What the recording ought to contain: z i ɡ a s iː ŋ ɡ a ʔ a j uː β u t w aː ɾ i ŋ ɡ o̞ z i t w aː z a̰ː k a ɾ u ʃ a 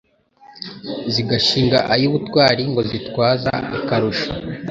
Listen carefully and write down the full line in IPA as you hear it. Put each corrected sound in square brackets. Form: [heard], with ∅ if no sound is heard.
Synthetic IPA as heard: z i ɡ a [ʃ] iː ŋ ɡ a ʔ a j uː β u t w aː ɾ i ŋ ɡ o̞ z i t w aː z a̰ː k a ɾ u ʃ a